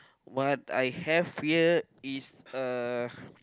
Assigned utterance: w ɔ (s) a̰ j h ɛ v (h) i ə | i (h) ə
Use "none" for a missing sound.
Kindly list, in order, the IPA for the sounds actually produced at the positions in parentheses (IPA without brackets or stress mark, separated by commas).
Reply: t, h, s